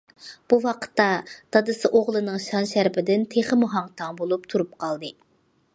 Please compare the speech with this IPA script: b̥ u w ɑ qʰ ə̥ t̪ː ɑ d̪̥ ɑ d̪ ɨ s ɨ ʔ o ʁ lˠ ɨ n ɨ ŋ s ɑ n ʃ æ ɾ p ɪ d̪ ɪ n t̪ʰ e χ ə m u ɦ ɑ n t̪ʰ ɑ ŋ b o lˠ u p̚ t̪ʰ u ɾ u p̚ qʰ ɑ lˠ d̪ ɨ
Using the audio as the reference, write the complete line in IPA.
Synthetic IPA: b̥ u w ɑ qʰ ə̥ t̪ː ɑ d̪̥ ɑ d̪ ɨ s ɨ ʔ o ʁ lˠ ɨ n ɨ ŋ ʃ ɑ n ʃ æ ɾ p ɪ d̪ ɪ n t̪ʰ e χ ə m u ɦ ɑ ŋ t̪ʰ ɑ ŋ b o lˠ u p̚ t̪ʰ u ɾ u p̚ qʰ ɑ lˠ d̪ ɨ